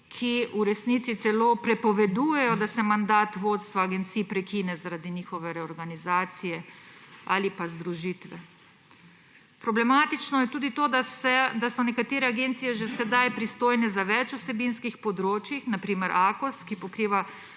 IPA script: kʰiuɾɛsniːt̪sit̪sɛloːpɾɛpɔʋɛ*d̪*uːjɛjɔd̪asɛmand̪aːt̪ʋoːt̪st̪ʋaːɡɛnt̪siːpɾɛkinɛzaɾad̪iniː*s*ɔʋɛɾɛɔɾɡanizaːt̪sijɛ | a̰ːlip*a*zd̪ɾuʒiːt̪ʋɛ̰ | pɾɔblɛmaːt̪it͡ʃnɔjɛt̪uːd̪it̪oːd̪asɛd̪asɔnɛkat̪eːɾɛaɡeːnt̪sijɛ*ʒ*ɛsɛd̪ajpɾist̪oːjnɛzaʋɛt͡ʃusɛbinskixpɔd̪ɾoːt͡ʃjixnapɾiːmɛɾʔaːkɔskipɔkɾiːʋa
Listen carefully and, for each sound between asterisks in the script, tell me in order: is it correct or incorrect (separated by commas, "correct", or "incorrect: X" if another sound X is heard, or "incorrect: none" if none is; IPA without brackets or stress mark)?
correct, incorrect: x, correct, correct